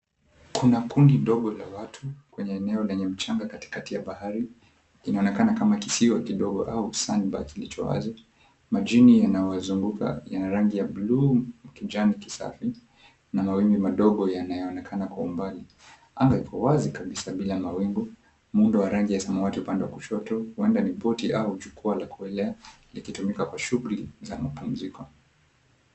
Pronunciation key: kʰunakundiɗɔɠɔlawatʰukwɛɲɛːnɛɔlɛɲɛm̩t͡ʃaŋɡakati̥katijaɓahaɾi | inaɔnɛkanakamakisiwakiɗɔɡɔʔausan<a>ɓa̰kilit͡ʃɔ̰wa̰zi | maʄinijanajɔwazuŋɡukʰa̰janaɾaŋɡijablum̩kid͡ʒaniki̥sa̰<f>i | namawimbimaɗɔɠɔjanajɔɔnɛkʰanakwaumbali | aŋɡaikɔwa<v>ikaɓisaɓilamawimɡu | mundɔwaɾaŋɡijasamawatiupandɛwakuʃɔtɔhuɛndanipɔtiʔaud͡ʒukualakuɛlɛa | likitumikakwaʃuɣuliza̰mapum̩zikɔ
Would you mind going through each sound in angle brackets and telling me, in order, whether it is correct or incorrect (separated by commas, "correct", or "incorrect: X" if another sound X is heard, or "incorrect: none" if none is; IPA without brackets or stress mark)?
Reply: incorrect: i, correct, incorrect: z